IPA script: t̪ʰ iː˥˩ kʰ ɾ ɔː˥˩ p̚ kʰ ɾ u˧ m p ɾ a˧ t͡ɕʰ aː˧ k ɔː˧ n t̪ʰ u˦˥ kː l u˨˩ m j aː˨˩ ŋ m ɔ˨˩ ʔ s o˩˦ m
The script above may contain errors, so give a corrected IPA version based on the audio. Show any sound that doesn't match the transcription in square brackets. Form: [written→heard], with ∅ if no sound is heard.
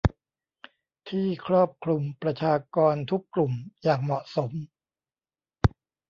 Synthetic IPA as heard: t̪ʰ iː˥˩ kʰ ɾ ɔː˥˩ p̚ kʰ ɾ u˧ m p ɾ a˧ t͡ɕʰ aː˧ k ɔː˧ n t̪ʰ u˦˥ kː l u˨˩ m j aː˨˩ ŋ m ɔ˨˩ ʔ s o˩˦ m